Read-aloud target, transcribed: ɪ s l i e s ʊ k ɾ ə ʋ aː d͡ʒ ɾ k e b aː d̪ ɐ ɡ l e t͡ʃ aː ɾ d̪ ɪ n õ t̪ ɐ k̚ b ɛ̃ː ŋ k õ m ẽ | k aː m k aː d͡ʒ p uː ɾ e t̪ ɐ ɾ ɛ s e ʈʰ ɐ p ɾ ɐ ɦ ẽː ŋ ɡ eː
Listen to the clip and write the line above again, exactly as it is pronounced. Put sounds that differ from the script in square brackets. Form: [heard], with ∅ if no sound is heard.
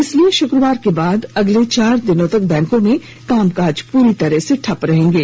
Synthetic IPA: ɪ s l i e [ʃ] ʊ k ɾ ə ʋ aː [∅] ɾ k e b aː d̪ ɐ ɡ l e t͡ʃ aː ɾ d̪ ɪ n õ t̪ ɐ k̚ b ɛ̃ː ŋ k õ m ẽ | k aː m k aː d͡ʒ p uː ɾ [i] t̪ ɐ ɾ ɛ s e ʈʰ ɐ p ɾ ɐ ɦ ẽː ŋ ɡ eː

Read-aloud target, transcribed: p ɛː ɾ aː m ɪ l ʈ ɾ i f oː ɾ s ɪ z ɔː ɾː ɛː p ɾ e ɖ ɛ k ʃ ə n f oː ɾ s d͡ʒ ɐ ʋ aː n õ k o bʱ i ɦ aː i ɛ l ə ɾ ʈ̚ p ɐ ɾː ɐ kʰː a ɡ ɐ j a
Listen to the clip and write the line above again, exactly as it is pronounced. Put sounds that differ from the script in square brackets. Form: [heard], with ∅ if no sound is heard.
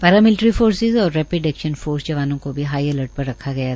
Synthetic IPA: p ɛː ɾ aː m ɪ l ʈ ɾ i f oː ɾ s ɪ z ɔː ɾː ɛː p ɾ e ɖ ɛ k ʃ ə n f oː ɾ s d͡ʒ ɐ ʋ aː n õ k o bʱ i ɦ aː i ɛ l ə ɾ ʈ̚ p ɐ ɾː ɐ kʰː a ɡ ɐ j a

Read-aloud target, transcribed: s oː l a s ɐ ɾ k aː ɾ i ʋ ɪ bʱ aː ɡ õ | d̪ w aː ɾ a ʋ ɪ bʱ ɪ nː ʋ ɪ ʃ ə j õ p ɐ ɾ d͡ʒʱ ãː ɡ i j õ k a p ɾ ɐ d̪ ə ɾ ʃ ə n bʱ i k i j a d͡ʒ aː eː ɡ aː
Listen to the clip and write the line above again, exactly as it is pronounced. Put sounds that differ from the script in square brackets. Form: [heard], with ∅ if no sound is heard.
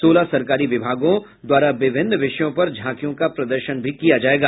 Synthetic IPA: s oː l a s ɐ ɾ k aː ɾ i ʋ ɪ bʱ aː ɡ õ | d̪ w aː ɾ a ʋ ɪ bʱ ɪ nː ʋ ɪ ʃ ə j õ p ɐ ɾ d͡ʒʱ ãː [k] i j õ k a p ɾ ɐ d̪ ə ɾ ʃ ə n bʱ i k i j a d͡ʒ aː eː ɡ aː

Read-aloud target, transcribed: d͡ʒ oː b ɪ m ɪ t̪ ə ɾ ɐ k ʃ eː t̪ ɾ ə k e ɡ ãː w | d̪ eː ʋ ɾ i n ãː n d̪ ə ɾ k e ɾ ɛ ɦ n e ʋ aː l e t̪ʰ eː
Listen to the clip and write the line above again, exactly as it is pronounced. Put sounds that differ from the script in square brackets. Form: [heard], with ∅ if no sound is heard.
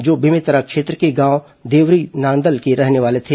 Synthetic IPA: d͡ʒ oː b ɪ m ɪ t̪ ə ɾ [a] k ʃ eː t̪ ɾ ə k e ɡ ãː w | d̪ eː ʋ ɾ i n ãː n d̪ ə [l] k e ɾ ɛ ɦ n e ʋ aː l e t̪ʰ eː

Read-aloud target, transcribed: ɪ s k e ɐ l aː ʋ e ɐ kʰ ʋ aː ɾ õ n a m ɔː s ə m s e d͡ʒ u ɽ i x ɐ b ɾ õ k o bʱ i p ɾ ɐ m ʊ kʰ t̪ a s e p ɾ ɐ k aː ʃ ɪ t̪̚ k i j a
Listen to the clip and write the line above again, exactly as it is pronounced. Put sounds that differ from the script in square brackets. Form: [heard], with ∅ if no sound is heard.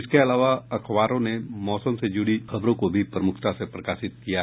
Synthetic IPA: ɪ s k e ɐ l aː ʋ [a] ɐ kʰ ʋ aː ɾ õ n [e] m ɔː s ə m s e d͡ʒ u ɽ i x ɐ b ɾ õ k o bʱ i p ɾ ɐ m ʊ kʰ t̪ a s e p ɾ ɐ k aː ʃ ɪ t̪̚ k i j a

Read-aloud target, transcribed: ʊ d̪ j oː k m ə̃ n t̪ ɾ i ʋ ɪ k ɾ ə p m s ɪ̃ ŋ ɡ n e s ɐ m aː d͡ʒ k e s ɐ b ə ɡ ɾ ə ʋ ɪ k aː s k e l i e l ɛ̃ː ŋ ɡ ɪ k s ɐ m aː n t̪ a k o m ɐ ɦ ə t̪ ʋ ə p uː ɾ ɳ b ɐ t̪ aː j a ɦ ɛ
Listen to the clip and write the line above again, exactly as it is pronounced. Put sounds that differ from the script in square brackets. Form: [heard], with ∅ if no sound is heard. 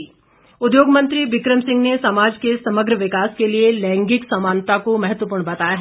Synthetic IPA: ʊ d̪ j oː [ɡ] m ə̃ n t̪ ɾ i ʋ ɪ k ɾ ə [∅] m s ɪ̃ ŋ ɡ n e s ɐ m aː d͡ʒ k e s ɐ [m] ə ɡ ɾ ə ʋ ɪ k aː s k e l i e l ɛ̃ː ŋ ɡ ɪ k s ɐ m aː n t̪ a k o m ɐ ɦ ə t̪ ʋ ə p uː ɾ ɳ b ɐ t̪ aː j a ɦ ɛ

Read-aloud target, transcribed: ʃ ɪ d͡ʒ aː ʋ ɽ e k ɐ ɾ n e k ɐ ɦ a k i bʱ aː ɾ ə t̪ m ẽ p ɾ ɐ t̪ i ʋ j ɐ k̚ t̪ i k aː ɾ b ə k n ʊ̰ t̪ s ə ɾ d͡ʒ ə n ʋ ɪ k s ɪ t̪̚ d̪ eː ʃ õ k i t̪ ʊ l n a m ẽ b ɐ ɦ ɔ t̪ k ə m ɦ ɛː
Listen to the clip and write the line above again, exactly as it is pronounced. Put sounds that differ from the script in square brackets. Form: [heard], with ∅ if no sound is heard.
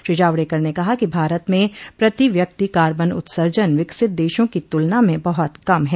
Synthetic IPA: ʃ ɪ d͡ʒ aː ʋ ɽ e k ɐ ɾ n e k ɐ ɦ a k i bʱ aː ɾ ə t̪ m ẽ p ɾ ɐ t̪ i ʋ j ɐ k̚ t̪ i k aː ɾ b ə [∅] n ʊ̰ t̪ s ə ɾ d͡ʒ ə n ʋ ɪ k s ɪ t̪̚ d̪ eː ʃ õ k i t̪ ʊ l n a m ẽ b ɐ ɦ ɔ t̪ k [ɐ] m ɦ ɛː

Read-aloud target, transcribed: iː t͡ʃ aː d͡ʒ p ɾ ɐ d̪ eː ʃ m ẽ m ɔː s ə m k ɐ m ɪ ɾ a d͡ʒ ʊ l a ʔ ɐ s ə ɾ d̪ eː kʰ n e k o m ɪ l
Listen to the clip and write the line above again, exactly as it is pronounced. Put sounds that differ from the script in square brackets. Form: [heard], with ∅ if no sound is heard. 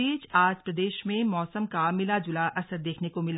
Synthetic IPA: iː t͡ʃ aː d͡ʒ p ɾ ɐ d̪ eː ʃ m ẽ m ɔː s ə m k [a] m ɪ [l] a d͡ʒ ʊ l a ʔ ɐ s ə ɾ d̪ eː kʰ n e k o m ɪ l

